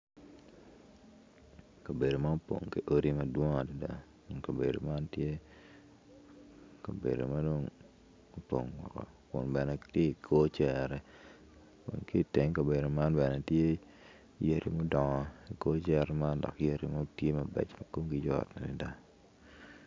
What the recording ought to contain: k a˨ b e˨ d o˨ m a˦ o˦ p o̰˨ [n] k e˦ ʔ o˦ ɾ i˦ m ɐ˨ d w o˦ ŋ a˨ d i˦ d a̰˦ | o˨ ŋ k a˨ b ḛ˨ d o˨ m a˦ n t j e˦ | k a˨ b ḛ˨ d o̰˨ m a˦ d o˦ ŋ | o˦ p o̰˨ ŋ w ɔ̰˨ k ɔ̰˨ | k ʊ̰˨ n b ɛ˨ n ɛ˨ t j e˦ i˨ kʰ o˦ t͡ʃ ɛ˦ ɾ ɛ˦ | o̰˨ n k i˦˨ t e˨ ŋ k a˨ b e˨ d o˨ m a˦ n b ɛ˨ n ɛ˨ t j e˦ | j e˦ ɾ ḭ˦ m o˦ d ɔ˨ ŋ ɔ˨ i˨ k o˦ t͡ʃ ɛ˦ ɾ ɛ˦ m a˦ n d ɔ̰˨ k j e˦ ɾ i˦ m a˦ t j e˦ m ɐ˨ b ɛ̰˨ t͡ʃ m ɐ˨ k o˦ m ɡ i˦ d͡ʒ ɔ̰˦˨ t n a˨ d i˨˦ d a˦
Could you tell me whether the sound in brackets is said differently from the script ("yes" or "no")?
yes